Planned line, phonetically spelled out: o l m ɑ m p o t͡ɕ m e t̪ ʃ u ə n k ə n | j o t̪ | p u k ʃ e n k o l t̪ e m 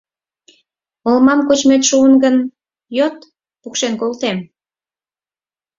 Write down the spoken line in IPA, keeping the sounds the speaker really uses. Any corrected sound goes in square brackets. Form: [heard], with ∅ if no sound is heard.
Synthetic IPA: o l m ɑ m [k] o t͡ɕ m e t̪ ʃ u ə n [ɡ] ə n | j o t̪ | p u k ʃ e n k o l t̪ e m